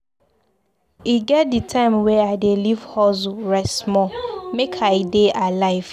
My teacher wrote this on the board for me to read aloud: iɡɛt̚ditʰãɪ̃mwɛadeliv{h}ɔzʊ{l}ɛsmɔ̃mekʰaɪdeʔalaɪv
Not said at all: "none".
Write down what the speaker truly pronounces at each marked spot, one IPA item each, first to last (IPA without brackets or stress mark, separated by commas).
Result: h, ɹ